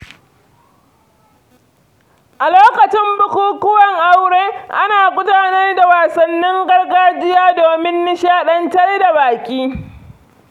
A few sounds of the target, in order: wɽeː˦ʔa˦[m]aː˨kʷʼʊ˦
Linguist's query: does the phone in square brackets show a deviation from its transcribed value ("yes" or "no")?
yes